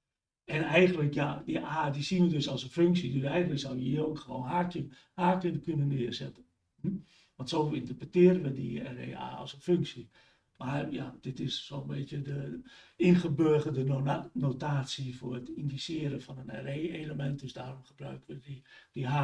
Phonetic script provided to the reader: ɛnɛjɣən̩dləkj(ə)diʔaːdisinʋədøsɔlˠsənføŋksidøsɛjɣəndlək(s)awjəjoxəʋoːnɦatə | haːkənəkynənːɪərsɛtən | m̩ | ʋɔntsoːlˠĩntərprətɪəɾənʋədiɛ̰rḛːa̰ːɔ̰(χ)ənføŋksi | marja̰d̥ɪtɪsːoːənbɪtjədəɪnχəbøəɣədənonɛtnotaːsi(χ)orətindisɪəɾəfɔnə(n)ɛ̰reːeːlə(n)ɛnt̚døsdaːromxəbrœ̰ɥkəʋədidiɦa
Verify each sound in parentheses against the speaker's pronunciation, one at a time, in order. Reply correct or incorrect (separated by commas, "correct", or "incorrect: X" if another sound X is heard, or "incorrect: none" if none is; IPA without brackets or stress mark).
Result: incorrect: a, correct, incorrect: s, incorrect: f, correct, incorrect: m